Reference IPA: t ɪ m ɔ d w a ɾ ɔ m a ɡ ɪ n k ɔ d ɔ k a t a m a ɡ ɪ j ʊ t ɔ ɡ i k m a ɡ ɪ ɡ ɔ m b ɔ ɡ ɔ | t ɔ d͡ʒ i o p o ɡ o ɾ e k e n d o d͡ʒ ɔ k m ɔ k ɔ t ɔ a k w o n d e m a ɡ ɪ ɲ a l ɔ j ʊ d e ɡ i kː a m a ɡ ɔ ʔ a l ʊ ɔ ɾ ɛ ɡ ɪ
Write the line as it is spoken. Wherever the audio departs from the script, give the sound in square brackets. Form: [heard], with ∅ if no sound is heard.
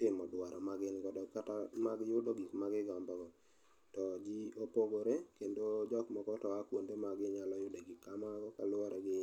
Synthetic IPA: t ɪ m ɔ d w a ɾ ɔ m a ɡ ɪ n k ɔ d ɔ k a t a m a ɡ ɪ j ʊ [d] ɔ ɡ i k m a ɡ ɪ ɡ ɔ m b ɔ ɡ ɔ | t ɔ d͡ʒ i o p o ɡ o ɾ e k e n d o d͡ʒ ɔ k m ɔ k ɔ t ɔ a k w o n d e m a ɡ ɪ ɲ a l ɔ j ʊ d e ɡ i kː a m a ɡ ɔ [k] a l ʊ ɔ ɾ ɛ ɡ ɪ